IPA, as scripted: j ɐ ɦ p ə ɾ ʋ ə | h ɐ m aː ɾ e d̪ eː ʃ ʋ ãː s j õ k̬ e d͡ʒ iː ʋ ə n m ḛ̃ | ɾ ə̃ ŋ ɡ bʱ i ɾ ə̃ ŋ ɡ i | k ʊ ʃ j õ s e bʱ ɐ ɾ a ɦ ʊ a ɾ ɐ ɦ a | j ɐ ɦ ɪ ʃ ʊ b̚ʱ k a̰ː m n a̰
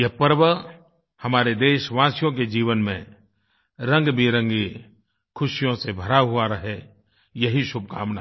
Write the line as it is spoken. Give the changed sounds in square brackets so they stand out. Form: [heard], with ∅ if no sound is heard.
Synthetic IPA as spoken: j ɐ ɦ p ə ɾ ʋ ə | h ɐ m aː ɾ e d̪ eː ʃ ʋ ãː s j õ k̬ e d͡ʒ iː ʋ ə n m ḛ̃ | ɾ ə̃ ŋ ɡ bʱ i ɾ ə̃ ŋ ɡ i | [kʰ] ʊ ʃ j õ s e bʱ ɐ ɾ a ɦ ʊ a ɾ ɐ ɦ [e] | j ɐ ɦ [i] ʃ ʊ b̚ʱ k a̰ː m n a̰